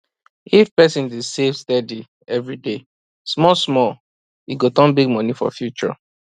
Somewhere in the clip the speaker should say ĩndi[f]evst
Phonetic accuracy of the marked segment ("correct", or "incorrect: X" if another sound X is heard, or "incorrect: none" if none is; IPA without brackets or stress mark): incorrect: s